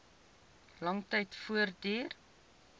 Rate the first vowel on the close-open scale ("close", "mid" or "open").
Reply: open